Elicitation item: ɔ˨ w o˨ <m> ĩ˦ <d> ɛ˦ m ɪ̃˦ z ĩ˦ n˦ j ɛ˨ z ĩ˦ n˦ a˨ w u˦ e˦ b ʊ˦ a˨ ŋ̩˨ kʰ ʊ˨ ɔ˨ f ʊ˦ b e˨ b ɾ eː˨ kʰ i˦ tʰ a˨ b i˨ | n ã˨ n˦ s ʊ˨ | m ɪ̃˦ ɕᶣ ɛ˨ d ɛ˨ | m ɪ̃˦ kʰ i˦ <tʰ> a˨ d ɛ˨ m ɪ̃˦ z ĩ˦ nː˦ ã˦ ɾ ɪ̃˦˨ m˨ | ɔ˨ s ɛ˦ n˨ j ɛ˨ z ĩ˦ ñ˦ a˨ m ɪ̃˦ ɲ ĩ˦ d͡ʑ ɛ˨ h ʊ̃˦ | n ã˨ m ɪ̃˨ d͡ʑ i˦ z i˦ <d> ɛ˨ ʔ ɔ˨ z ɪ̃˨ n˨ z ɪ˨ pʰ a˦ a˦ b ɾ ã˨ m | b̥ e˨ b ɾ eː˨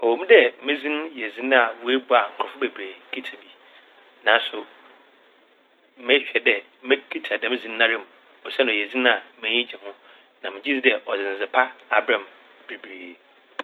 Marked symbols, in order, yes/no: yes, yes, yes, yes

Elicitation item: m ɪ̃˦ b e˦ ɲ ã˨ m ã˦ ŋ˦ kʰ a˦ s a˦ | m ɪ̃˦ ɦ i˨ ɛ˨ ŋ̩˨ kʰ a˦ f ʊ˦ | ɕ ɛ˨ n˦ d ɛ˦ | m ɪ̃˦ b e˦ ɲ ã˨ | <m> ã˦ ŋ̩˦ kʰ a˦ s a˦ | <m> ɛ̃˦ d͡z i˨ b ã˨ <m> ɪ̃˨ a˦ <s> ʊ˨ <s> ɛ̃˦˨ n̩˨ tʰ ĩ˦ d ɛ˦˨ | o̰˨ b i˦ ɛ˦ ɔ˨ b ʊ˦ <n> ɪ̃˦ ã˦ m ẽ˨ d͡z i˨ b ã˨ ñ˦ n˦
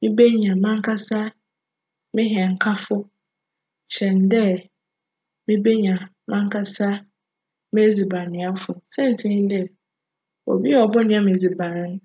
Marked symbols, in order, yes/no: yes, yes, no, no, yes, yes

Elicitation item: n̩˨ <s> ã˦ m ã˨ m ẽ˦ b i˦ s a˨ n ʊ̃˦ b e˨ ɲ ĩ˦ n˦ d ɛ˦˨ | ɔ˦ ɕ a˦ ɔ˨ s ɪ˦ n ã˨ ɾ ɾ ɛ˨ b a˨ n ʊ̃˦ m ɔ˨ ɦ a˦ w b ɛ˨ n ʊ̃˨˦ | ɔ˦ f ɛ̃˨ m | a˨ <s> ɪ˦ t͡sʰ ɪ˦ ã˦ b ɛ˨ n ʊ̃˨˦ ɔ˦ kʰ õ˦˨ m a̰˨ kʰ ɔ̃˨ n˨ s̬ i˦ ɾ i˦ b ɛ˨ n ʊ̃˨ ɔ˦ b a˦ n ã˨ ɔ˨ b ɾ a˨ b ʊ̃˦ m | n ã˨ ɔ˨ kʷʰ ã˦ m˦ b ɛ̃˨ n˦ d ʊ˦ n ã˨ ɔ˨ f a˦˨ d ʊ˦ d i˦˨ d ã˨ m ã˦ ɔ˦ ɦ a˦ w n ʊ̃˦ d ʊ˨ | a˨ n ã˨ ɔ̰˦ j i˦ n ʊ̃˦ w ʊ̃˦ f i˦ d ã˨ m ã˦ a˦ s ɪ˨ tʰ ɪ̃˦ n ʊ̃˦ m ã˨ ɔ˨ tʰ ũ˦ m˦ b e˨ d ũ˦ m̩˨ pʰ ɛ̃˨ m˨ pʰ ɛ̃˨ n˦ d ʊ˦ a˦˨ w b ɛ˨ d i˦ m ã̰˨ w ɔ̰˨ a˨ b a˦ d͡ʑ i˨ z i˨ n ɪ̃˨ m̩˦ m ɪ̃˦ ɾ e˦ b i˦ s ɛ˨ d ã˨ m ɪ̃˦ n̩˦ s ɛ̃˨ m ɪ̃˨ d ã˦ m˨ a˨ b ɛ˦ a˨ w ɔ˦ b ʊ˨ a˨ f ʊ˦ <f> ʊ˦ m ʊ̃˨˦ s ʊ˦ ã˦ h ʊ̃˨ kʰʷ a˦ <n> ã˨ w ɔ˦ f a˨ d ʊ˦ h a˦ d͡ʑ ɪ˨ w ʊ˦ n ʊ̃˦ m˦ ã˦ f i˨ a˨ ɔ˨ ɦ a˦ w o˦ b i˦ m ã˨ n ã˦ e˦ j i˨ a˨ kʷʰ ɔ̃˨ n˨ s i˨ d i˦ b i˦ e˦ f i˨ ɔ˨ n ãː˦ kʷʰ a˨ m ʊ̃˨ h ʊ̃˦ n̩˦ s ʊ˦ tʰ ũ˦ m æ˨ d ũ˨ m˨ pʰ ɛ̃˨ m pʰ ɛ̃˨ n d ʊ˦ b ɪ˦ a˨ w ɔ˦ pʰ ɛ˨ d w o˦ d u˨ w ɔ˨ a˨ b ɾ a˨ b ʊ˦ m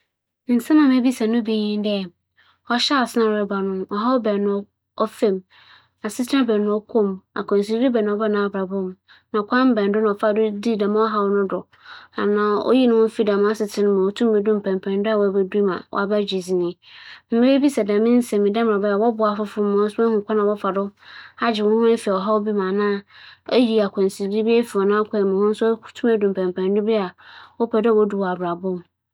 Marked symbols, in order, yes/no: yes, yes, yes, yes

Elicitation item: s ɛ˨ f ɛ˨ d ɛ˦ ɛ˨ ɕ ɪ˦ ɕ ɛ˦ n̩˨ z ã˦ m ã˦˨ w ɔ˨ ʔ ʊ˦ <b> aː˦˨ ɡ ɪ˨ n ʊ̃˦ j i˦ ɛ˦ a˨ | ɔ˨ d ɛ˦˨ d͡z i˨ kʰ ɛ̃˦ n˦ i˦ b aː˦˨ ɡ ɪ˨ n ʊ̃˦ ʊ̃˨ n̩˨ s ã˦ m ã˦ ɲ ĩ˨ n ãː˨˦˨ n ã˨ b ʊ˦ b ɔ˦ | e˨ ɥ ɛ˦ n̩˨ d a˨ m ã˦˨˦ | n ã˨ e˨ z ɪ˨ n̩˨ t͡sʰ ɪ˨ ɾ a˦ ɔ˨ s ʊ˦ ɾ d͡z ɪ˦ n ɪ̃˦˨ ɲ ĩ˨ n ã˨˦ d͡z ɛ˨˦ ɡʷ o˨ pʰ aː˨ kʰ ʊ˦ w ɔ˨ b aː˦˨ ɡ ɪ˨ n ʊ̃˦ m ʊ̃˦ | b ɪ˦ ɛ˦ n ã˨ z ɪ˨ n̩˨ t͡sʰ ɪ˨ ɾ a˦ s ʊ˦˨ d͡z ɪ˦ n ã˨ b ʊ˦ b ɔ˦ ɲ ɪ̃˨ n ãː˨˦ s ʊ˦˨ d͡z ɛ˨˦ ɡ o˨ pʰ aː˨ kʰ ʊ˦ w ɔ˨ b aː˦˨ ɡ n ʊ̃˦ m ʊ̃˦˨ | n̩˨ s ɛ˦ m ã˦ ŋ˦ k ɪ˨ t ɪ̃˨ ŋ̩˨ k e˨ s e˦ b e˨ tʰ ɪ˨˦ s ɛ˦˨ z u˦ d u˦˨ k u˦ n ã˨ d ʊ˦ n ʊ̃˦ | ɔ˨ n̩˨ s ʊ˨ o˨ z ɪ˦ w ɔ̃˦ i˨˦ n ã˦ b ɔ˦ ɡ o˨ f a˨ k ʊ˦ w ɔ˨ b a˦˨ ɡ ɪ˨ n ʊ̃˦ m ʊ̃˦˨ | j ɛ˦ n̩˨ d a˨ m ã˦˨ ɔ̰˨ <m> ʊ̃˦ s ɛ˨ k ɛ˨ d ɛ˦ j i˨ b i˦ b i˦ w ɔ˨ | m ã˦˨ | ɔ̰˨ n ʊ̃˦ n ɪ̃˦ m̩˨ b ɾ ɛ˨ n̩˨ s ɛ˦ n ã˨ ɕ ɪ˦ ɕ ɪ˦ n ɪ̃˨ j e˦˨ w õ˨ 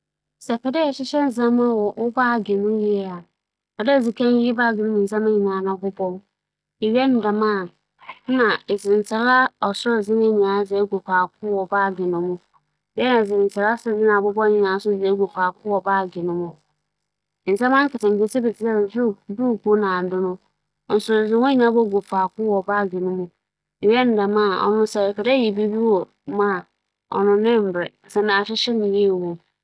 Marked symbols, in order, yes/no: yes, no

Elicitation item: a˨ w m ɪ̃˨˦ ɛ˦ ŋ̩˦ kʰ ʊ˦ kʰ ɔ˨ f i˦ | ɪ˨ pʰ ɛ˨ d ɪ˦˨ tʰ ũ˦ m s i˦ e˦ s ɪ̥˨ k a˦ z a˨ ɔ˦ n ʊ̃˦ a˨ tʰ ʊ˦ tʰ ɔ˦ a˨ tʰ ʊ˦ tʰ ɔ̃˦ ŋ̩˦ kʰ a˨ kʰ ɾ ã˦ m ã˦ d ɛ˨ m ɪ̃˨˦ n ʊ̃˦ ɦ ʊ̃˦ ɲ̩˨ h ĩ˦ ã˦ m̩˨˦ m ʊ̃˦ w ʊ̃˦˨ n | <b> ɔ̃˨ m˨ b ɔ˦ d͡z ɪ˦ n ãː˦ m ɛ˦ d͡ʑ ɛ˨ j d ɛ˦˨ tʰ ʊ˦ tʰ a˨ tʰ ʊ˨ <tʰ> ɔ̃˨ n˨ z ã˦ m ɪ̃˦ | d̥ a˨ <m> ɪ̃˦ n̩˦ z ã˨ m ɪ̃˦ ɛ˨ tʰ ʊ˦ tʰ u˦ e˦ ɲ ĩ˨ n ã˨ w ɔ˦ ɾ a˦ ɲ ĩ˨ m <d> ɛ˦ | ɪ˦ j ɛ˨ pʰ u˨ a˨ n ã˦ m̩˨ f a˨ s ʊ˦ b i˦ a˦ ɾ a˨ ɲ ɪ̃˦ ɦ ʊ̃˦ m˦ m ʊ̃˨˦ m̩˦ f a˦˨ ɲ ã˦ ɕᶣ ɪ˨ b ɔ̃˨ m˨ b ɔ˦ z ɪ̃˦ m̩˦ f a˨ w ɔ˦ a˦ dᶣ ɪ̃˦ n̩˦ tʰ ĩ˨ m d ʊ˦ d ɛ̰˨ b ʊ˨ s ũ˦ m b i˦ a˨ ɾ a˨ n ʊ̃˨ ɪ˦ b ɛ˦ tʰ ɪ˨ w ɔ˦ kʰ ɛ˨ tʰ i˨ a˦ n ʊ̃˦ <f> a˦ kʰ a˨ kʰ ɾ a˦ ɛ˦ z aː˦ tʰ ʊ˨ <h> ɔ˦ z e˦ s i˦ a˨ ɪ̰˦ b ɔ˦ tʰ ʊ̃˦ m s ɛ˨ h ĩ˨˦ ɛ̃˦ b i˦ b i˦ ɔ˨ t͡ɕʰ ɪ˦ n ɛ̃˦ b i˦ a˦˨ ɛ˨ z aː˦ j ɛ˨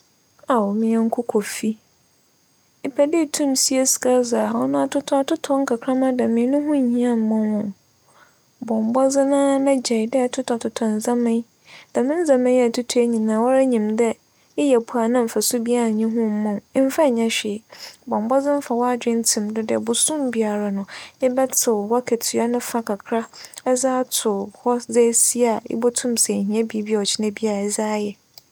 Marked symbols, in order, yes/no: yes, yes, yes, yes, yes, yes

